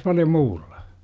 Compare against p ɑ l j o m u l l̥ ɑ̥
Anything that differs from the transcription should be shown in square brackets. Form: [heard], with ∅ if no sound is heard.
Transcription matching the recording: p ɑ l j o m [uː] l l̥ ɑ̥